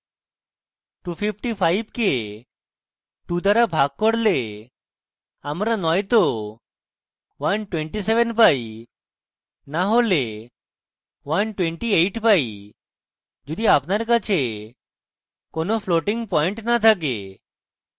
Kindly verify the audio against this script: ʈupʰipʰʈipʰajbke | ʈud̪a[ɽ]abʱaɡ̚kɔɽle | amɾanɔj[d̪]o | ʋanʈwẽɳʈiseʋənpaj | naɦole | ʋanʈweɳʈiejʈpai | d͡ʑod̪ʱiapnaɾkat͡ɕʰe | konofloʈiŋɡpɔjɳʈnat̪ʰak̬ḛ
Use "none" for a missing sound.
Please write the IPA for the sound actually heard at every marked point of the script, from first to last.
ɾ, t̪

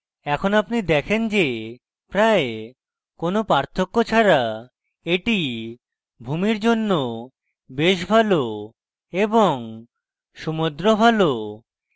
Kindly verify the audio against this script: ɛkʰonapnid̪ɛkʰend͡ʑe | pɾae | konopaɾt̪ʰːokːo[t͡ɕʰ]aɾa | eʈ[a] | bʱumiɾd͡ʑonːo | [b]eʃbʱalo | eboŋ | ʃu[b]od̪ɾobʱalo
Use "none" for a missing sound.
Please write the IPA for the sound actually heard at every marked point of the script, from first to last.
t͡ɕʰ, i, b, m

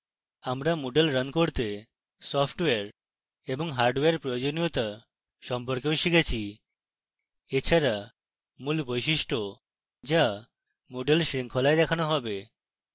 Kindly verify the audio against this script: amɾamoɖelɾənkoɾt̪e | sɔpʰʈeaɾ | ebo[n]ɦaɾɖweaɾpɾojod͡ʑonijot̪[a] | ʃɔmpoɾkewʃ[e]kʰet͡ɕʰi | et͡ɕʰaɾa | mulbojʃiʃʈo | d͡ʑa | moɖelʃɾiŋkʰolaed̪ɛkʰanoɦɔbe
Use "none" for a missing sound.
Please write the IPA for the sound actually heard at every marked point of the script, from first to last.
ŋ, a, i

